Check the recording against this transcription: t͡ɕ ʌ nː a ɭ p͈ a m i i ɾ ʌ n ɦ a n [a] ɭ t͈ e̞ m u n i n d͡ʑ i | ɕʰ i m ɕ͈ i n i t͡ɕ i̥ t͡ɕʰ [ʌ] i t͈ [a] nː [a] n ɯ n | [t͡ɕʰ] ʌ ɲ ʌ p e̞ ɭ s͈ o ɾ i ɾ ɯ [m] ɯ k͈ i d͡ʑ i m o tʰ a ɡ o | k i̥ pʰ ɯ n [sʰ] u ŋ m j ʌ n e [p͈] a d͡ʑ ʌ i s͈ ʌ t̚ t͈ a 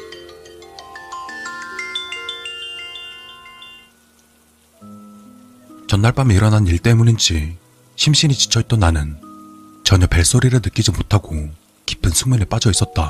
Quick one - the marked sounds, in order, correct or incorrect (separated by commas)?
incorrect, correct, incorrect, correct, incorrect, incorrect, correct, correct